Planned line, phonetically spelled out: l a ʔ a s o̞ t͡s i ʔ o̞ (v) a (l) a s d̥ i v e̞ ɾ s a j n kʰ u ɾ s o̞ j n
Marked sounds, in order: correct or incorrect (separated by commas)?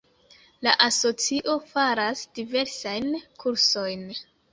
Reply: incorrect, incorrect